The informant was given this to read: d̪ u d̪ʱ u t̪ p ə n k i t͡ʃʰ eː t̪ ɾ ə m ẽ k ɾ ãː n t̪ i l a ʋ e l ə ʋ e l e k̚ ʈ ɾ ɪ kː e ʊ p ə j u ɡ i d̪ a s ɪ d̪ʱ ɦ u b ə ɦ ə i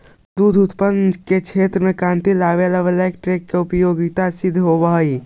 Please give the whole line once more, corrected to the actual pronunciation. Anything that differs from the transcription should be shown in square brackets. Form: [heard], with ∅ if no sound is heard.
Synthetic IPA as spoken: d̪ u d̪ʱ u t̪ p ə n k [e] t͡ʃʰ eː t̪ ɾ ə m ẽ k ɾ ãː n t̪ i l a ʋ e l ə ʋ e l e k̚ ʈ ɾ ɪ kː e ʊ p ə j [o] ɡ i [t̪] a s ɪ d̪ʱ ɦ [o] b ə ɦ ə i